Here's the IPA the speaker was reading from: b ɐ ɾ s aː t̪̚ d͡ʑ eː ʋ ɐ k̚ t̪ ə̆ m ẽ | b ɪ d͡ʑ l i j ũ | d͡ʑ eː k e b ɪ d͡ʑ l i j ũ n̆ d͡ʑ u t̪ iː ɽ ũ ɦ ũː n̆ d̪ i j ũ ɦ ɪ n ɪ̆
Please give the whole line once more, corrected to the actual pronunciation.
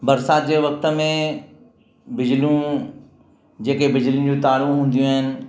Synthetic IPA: b ɐ ɾ s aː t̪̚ d͡ʑ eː ʋ ɐ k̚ t̪ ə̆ m ẽ | b ɪ d͡ʑ l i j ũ | d͡ʑ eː k e b ɪ d͡ʑ l i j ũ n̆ d͡ʑ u t̪ aː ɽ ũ ɦ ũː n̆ d̪ i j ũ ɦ ɪ n ɪ̆